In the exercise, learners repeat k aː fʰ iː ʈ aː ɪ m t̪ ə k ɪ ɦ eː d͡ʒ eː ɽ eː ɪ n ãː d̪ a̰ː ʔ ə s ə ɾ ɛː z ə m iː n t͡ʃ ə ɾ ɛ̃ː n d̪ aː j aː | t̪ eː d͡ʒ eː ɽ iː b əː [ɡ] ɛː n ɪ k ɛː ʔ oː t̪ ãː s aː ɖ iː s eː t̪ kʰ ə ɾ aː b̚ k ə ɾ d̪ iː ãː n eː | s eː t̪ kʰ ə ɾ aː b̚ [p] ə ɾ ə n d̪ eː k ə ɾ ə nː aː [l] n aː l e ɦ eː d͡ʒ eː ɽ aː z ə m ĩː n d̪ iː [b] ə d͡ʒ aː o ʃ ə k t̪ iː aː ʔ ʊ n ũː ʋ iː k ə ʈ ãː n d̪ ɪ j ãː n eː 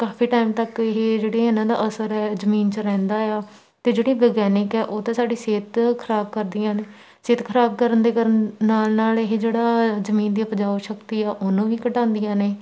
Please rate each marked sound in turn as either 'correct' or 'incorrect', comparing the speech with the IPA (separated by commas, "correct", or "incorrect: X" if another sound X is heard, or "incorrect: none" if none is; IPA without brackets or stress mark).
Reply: correct, incorrect: k, correct, incorrect: p